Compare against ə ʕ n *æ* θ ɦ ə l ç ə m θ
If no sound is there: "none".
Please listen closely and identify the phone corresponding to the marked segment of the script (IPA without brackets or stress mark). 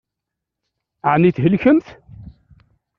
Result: i